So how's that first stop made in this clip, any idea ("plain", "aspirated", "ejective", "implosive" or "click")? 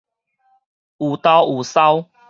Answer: plain